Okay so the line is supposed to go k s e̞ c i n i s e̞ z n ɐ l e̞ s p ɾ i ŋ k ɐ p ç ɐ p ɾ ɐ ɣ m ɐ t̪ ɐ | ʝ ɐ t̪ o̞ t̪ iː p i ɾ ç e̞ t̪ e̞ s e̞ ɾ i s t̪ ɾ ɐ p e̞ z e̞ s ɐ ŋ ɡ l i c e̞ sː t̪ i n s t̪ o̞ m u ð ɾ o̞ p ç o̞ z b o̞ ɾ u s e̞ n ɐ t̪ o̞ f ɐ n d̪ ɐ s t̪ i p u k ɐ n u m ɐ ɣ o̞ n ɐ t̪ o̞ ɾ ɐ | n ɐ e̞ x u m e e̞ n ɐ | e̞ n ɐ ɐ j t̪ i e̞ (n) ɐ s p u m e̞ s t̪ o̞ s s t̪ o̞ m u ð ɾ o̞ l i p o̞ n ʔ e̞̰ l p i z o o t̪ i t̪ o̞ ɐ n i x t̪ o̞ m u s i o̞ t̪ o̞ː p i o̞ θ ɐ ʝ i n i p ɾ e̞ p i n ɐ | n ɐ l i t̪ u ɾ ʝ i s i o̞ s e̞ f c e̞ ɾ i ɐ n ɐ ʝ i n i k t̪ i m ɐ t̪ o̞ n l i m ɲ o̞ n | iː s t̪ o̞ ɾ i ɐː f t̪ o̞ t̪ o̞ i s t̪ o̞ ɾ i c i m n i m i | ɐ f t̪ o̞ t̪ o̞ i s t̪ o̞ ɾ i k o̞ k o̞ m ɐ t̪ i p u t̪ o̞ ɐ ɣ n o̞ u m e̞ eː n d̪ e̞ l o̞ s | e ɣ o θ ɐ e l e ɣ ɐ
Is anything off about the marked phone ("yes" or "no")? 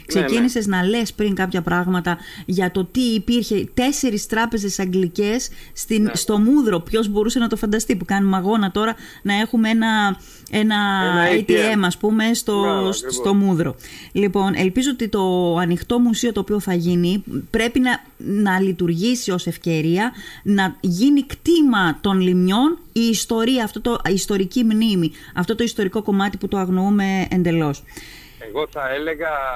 yes